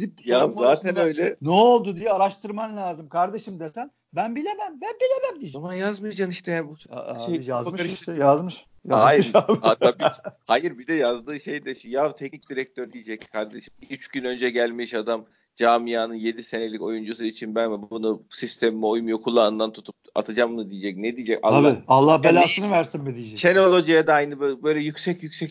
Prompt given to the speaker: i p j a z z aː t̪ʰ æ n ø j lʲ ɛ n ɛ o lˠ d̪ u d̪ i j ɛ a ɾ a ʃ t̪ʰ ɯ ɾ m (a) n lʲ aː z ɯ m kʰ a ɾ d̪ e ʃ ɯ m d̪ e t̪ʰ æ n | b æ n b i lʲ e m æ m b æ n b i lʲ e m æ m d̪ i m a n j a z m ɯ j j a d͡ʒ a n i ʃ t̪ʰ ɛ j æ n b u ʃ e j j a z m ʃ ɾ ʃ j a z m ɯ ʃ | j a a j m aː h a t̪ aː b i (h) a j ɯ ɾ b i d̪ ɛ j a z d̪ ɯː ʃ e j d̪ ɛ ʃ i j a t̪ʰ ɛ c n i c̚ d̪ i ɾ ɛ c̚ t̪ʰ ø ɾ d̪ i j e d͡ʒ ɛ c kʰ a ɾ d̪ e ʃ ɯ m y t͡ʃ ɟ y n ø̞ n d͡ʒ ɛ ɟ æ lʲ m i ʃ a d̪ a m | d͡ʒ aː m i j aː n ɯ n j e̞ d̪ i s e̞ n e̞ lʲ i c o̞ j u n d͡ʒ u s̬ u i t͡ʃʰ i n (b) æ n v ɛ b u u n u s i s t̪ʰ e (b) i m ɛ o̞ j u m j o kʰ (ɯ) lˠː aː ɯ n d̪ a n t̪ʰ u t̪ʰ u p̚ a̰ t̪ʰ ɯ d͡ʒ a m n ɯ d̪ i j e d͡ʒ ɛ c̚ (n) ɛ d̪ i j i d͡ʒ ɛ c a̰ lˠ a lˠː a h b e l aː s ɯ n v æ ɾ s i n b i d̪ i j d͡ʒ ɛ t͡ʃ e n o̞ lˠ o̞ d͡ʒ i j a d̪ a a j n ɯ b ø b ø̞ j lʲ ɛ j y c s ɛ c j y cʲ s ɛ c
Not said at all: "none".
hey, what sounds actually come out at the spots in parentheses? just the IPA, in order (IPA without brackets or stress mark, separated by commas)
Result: a, h, b, m, u, n